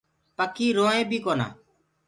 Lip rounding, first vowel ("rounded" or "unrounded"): unrounded